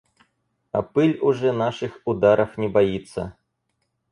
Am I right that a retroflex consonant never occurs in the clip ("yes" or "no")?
no